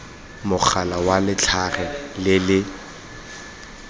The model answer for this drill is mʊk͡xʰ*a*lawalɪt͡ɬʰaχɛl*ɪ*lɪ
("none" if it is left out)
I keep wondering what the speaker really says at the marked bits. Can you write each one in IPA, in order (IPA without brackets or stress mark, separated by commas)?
a, ɪ